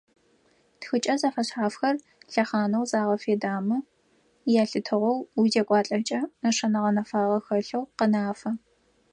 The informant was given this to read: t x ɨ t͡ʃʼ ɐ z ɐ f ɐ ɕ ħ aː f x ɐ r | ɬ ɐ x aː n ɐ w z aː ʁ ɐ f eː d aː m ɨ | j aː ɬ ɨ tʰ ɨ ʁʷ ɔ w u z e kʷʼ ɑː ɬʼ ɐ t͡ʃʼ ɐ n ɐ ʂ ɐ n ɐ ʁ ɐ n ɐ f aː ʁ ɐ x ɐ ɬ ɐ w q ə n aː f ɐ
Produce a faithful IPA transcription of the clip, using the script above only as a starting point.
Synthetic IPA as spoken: t x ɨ t͡ʃʼ ɐ z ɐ f ɐ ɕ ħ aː f x ɐ r | ɬ ɐ χ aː n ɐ w z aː ʁ ɐ f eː d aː m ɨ | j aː ɬ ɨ tʰ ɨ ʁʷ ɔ w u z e kʷʼ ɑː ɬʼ ɐ t͡ʃʼ ɐ n ɐ ʂ ɐ n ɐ ʁ ɐ n ɐ f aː ʁ ɐ x ɐ ɬ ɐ w q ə n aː f ɐ